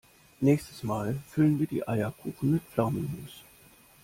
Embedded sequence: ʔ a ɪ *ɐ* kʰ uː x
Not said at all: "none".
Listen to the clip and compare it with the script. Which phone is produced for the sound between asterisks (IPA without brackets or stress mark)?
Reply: ɐ